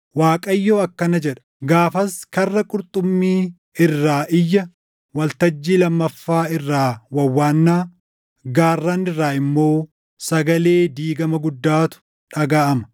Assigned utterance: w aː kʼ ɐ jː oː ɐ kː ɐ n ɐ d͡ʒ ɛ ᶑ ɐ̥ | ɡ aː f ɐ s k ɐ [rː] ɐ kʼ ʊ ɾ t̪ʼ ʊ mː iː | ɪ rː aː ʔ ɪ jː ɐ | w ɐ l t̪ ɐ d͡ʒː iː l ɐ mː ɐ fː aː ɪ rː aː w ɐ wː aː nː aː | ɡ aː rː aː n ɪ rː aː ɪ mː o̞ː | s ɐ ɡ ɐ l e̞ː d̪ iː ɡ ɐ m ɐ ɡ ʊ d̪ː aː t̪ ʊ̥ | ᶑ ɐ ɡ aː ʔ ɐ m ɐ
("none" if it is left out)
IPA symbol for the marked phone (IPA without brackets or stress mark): rː